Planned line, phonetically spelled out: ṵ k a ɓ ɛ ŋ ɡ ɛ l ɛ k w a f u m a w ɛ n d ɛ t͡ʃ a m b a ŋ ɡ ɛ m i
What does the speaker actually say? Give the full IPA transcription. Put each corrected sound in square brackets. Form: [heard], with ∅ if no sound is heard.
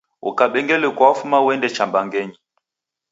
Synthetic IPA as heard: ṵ k a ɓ ɛ ŋ ɡ ɛ l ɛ k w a f u m a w ɛ n d ɛ t͡ʃ a m b a ŋ ɡ ɛ [ɲ] i